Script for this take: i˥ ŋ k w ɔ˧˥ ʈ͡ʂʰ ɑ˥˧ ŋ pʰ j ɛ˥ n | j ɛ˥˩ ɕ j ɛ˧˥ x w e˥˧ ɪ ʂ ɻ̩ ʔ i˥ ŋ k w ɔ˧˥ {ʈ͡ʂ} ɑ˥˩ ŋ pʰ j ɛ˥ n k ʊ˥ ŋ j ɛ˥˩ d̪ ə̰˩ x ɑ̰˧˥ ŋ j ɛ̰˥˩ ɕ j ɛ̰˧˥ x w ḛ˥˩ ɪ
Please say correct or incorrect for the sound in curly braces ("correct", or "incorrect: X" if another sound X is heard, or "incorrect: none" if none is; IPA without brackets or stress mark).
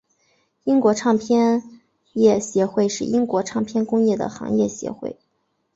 incorrect: ʈ͡ʂʰ